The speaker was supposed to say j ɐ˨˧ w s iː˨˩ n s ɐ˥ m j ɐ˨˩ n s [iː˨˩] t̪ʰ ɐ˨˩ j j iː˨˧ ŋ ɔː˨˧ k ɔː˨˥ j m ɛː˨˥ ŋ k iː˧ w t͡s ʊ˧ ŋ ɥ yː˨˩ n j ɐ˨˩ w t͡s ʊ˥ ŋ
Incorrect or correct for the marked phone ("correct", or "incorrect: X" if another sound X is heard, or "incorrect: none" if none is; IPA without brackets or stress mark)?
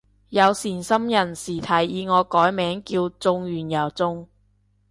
correct